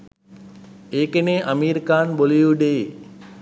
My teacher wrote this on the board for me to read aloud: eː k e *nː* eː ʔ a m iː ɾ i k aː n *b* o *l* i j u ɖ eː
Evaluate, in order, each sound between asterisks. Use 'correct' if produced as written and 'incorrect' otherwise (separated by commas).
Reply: incorrect, correct, correct